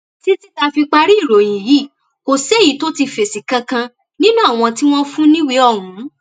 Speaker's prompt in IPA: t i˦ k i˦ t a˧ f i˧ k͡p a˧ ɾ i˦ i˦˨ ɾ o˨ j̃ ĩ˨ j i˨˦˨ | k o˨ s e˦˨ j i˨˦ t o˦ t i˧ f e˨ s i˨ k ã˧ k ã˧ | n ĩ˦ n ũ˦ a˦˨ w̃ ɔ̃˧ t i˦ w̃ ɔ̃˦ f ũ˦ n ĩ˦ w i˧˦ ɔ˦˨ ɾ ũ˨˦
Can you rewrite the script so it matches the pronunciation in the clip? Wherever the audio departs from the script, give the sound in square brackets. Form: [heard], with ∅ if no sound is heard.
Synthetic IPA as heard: t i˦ [t] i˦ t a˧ f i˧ k͡p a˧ ɾ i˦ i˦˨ ɾ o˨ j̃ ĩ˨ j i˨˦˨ | k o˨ s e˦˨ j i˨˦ t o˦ t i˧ f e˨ s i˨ k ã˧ k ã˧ | n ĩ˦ n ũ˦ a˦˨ w̃ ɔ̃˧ t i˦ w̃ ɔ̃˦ f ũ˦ n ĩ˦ w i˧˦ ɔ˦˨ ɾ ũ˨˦